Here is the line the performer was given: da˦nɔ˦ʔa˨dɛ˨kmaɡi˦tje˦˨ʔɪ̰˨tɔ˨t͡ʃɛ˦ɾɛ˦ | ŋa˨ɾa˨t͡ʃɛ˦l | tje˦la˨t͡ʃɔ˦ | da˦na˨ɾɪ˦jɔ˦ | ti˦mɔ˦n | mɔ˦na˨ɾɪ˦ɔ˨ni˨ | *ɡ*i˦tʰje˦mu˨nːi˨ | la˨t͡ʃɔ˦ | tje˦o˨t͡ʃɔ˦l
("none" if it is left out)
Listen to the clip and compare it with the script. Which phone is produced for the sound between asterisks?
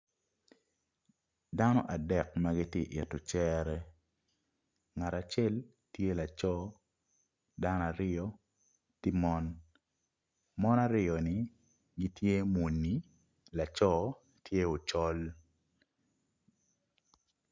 ɡ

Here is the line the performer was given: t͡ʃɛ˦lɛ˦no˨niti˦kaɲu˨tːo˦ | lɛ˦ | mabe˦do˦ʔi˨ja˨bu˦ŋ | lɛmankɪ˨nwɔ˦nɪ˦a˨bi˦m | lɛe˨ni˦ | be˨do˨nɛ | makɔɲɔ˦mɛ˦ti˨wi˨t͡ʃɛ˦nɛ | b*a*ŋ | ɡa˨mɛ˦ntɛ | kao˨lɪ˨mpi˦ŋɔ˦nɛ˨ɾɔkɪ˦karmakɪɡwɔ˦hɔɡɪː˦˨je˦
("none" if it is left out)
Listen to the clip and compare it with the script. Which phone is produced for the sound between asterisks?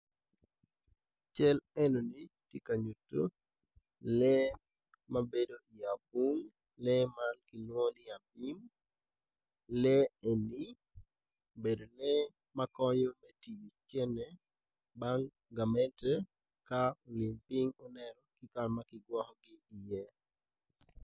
a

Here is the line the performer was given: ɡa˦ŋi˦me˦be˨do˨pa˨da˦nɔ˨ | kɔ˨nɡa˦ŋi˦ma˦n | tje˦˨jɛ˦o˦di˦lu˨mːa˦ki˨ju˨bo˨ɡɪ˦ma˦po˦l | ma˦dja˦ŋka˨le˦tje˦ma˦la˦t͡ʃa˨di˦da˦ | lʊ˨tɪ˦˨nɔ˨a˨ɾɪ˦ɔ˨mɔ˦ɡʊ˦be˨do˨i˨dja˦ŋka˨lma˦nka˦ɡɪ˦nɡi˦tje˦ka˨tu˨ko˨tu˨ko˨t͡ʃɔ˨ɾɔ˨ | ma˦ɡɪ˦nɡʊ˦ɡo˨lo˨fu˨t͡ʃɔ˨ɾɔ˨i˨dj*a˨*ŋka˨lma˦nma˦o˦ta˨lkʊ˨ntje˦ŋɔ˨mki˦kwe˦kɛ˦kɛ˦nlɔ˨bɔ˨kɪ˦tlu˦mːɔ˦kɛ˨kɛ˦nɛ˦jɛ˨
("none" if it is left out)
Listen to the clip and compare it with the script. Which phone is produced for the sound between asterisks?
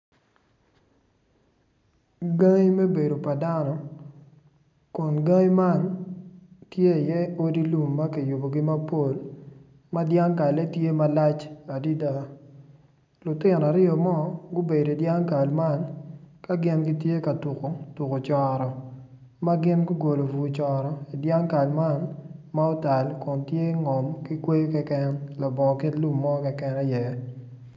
a˦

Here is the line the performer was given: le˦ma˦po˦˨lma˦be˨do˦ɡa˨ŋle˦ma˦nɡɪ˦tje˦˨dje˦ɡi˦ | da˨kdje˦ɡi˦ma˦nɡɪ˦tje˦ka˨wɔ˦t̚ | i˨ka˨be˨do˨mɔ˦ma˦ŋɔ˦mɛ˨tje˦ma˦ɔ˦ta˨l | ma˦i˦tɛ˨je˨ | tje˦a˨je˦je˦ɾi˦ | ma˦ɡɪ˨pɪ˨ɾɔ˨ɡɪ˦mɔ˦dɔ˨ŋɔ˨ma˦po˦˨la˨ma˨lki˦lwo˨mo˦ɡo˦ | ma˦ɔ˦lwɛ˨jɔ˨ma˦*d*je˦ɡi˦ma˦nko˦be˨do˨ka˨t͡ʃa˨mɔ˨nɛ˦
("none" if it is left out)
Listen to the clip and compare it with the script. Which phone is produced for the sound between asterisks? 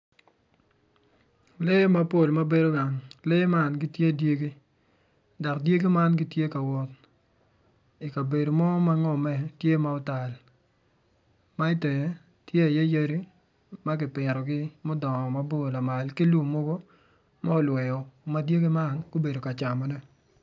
d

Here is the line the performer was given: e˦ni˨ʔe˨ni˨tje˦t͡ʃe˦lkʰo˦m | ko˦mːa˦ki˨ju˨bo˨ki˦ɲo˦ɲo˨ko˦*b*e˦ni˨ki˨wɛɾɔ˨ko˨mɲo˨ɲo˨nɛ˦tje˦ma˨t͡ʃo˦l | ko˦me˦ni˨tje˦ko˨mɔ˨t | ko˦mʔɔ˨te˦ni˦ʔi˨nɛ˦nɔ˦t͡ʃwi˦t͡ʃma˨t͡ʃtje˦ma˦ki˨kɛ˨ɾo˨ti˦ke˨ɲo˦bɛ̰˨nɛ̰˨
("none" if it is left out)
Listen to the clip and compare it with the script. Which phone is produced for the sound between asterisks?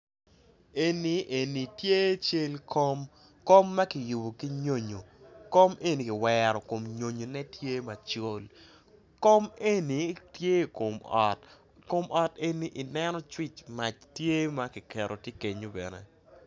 m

